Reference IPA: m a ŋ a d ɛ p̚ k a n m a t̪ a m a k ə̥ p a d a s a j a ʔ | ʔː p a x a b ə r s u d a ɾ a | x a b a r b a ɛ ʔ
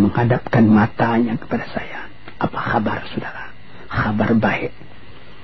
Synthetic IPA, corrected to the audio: m ə ŋ a d a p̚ k a n m a t̪ a ɲ a k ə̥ p a d a s a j a | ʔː p a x a b a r s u d a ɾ a | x a b a r b a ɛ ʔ